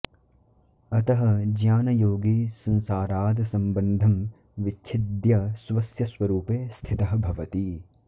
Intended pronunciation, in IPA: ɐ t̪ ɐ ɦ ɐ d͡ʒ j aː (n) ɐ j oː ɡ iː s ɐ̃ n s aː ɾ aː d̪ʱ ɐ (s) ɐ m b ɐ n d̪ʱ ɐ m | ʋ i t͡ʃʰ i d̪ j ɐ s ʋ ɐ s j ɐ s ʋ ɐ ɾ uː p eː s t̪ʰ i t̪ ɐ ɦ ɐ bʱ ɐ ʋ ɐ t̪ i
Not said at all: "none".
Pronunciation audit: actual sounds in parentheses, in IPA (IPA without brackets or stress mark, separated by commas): n, s